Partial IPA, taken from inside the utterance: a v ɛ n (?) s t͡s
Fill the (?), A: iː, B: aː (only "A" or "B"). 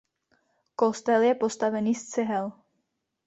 A